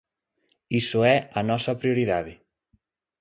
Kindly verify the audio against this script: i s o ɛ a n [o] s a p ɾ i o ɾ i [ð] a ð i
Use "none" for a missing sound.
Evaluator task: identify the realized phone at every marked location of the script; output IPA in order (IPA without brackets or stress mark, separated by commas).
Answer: ɔ, ð